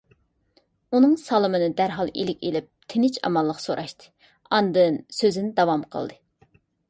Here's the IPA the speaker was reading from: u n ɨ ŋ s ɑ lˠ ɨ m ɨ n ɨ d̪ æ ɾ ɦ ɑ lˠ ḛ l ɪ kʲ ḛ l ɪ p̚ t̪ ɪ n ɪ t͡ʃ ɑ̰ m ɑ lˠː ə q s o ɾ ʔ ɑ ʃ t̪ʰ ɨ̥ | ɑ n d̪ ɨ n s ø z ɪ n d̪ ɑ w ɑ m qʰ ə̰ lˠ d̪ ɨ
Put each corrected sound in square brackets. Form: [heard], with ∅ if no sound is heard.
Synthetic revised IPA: u n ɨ ŋ s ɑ lˠ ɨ m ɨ n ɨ d̪ æ ɾ ɦ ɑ lˠ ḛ l ɪ kʲ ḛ l ɪ p̚ [t̪ʰ] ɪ n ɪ t͡ʃ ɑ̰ m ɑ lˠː ə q s o ɾ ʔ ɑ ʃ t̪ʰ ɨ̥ | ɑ n d̪ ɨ n s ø z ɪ n d̪ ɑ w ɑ m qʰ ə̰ lˠ d̪ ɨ